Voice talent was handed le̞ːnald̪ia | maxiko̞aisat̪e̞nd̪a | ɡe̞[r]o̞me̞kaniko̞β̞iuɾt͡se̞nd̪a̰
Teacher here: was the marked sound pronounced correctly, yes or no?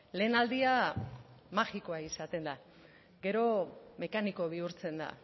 no